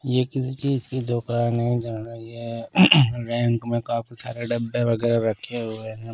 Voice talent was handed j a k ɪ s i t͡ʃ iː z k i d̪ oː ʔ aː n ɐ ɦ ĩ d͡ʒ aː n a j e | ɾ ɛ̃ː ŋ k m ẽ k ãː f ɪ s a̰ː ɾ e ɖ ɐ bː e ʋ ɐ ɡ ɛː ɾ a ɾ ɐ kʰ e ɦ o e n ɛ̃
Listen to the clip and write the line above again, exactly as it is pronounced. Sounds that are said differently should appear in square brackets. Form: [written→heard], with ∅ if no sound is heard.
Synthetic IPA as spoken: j [a→e] k ɪ s i t͡ʃ iː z k i d̪ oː [ʔ→k] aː n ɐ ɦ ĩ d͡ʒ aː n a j e | ɾ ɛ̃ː ŋ k m ẽ k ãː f [ɪ→i] s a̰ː ɾ e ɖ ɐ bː e ʋ ɐ ɡ ɛː ɾ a ɾ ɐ kʰ e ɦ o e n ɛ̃